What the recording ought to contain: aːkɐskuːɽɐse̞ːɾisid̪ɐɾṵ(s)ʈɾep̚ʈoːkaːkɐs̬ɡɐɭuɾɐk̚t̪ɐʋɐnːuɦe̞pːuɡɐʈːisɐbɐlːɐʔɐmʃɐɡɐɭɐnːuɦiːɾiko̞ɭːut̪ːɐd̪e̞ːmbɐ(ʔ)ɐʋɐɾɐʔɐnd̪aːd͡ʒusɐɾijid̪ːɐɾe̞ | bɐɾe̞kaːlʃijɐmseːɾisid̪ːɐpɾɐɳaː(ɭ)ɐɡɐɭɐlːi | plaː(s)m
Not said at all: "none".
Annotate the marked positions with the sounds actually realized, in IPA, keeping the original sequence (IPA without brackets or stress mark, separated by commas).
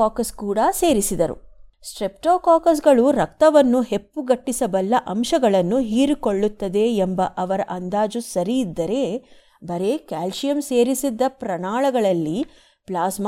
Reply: s, ʔ, ɭ, s